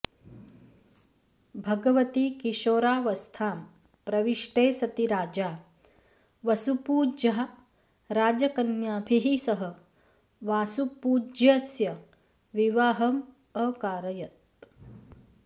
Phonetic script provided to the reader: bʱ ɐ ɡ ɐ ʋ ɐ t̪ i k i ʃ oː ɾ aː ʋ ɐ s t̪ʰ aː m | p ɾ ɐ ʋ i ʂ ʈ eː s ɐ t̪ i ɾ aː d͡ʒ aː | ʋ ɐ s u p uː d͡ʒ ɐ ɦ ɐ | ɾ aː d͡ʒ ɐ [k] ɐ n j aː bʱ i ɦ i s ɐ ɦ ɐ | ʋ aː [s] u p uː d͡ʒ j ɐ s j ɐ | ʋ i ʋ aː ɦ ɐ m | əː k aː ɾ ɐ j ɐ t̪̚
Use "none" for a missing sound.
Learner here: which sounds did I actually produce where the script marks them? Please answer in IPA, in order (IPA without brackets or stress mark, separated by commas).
k, s